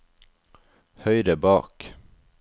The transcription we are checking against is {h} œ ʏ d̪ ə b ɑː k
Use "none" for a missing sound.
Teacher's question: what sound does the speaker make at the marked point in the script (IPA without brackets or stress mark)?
h